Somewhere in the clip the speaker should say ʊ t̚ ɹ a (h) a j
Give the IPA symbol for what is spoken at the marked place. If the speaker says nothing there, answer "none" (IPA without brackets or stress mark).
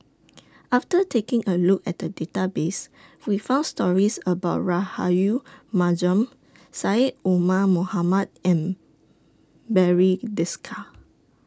h